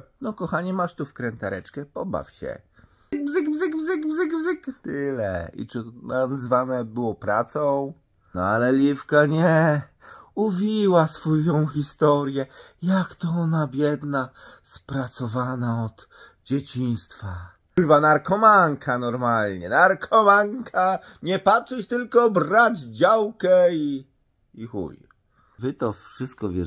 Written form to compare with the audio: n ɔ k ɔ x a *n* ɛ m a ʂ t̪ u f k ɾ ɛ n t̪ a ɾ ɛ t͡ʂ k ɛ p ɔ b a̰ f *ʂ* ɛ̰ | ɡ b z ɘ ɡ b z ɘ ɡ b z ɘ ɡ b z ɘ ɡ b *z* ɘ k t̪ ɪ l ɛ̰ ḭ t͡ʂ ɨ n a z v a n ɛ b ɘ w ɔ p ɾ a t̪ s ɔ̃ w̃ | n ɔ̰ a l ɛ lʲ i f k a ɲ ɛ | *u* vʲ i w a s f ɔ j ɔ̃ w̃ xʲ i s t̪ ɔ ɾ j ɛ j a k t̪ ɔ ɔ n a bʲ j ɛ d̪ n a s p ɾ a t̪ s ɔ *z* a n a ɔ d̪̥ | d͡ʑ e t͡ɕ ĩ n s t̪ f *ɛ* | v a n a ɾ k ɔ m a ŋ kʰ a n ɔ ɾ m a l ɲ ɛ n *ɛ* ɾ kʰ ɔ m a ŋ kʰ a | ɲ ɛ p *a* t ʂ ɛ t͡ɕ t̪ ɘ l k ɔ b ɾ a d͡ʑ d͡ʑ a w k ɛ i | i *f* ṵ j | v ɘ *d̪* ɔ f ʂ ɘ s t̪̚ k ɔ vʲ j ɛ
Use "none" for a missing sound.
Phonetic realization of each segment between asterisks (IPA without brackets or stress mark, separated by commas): ɲ, ɕ, z, u, v, a, a, a, x, t̪